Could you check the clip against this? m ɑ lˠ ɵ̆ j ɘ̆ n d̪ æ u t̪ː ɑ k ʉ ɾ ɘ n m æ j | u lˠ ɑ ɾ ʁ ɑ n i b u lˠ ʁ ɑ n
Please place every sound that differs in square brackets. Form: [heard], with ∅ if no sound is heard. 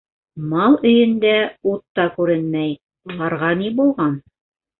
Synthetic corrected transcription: m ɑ lˠ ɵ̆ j ɘ̆ n d̪ æ u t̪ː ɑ k ʉ ɾ ɘ n m æ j | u lˠ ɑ ɾ ʁ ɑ n i b u lˠ ʁ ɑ n